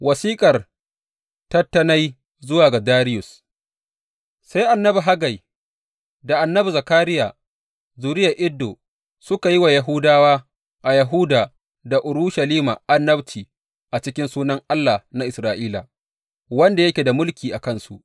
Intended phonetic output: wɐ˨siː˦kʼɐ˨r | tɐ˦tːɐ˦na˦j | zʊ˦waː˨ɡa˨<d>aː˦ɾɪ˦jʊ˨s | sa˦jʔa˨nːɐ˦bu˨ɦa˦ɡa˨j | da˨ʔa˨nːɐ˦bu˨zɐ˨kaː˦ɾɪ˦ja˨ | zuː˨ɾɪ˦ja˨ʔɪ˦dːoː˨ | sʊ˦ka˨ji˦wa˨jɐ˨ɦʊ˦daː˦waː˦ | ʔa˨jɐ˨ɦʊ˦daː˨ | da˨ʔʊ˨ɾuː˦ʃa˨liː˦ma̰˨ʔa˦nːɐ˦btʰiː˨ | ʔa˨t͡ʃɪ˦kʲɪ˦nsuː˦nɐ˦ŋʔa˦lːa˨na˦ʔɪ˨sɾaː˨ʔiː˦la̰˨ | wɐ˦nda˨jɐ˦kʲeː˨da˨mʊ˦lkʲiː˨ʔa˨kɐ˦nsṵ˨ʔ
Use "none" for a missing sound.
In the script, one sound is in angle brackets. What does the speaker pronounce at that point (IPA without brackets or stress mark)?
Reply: d